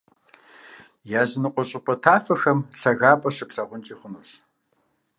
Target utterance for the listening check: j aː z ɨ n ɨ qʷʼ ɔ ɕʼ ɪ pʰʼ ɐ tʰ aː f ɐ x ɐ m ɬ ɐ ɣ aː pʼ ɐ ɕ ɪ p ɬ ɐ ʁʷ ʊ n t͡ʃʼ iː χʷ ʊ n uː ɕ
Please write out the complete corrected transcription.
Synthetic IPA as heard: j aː z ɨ n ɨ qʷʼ ɔ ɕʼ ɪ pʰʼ ɐ tʰ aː f ɐ x ɐ m ɬ ɐ ɣ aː pʼ ɐ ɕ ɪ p ɬ ɐ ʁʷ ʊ n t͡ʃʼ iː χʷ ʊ n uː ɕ